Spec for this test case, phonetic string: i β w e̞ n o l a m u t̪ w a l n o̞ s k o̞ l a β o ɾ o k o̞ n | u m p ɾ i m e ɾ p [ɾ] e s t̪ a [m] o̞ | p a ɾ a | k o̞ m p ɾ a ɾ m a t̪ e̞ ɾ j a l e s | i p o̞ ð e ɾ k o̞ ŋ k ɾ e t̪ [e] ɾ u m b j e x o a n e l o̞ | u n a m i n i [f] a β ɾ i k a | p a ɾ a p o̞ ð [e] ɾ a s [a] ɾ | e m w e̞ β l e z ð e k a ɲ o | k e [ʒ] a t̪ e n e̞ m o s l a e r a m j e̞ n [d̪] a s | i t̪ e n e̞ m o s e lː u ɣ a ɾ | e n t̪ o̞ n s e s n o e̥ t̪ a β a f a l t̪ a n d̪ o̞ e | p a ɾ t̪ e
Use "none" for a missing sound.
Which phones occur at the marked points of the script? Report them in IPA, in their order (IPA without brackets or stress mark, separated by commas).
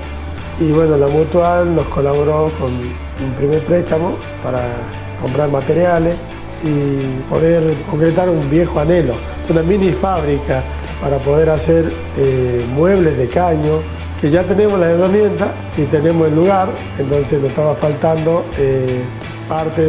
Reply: ɾ, m, a, f, e, e, ʒ, t̪